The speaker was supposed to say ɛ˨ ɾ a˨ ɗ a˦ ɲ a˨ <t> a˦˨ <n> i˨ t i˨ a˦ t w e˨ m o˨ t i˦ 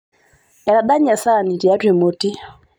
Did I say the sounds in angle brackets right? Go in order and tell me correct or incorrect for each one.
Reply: incorrect, correct

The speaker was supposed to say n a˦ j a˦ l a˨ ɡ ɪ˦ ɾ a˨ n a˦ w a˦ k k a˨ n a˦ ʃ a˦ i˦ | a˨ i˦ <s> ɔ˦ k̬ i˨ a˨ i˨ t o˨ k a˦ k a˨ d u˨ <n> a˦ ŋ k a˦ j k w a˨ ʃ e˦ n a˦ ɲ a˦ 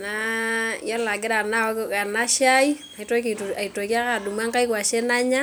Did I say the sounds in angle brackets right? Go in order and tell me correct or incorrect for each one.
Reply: incorrect, incorrect

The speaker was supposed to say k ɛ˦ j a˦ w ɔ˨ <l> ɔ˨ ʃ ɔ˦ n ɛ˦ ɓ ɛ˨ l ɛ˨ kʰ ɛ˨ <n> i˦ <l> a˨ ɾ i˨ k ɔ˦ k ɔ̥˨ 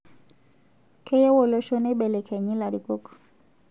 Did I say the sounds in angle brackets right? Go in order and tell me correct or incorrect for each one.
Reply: correct, incorrect, correct

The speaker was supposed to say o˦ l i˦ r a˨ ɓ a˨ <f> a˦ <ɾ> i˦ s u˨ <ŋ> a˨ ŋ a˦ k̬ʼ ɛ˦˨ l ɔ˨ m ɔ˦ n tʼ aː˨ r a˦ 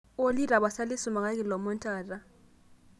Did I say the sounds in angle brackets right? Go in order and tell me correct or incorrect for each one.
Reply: incorrect, incorrect, incorrect

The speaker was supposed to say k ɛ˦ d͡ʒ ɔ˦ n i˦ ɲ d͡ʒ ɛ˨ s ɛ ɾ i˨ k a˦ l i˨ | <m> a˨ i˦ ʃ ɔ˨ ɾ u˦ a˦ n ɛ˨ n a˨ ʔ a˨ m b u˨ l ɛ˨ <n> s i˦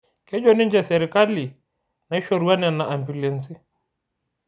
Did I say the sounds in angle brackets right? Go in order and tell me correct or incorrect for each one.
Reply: incorrect, correct

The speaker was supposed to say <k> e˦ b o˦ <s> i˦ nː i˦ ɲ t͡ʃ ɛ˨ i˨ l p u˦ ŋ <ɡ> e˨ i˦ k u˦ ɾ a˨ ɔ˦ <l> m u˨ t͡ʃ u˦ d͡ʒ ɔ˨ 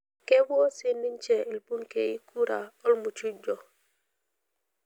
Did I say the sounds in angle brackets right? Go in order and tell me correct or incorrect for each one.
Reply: correct, correct, incorrect, correct

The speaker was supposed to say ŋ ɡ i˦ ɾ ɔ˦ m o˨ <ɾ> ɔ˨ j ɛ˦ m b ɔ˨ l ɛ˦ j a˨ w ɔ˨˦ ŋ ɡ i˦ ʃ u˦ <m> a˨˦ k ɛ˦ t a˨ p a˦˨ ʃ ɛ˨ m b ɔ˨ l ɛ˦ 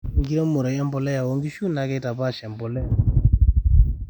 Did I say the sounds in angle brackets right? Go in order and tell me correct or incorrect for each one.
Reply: correct, incorrect

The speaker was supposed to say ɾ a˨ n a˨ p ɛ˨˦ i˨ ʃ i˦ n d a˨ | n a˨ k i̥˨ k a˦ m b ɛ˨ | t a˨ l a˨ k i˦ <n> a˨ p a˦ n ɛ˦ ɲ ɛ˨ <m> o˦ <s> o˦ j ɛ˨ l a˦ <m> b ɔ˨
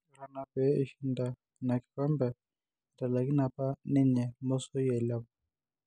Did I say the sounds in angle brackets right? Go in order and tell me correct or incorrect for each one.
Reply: correct, correct, correct, incorrect

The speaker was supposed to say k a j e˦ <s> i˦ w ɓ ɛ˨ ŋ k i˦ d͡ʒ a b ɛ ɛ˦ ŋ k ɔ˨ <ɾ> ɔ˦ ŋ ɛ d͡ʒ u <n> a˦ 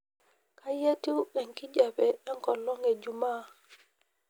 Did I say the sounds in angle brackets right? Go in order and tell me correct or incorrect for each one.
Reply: incorrect, incorrect, incorrect

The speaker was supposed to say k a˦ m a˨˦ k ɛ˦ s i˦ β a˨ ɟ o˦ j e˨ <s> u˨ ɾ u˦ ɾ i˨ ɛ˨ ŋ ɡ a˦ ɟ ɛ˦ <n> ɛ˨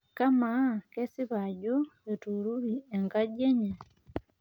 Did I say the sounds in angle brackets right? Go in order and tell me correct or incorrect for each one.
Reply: incorrect, incorrect

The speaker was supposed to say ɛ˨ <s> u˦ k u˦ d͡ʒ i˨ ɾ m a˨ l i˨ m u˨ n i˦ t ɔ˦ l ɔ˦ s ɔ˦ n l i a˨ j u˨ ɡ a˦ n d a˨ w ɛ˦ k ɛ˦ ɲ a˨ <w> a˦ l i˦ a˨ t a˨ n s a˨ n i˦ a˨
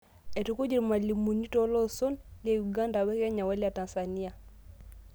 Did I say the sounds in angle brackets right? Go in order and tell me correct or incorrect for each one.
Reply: incorrect, correct

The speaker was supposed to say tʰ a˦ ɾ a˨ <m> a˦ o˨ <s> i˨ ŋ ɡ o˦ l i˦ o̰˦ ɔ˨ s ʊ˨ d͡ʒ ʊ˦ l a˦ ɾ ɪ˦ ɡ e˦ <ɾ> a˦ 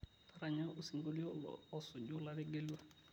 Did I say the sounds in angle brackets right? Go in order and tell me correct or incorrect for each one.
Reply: incorrect, correct, incorrect

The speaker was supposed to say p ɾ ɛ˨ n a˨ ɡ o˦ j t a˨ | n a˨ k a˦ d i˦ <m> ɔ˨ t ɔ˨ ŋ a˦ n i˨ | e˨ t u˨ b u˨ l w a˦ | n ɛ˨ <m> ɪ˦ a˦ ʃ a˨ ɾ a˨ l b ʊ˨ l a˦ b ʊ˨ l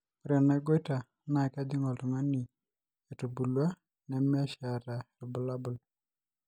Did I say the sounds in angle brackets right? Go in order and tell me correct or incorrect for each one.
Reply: incorrect, correct

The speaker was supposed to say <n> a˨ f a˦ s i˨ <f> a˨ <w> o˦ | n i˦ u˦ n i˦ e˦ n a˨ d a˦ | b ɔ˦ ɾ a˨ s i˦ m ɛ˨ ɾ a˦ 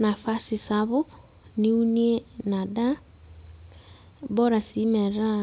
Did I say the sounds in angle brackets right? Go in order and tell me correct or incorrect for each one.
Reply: correct, incorrect, incorrect

